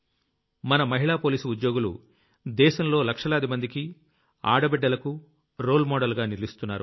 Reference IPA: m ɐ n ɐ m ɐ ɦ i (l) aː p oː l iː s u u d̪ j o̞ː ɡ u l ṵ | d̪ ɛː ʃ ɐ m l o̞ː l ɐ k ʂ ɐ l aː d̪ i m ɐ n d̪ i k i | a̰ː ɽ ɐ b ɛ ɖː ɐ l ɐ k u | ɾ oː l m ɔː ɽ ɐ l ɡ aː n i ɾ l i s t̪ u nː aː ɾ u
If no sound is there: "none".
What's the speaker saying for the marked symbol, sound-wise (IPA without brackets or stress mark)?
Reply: ɭ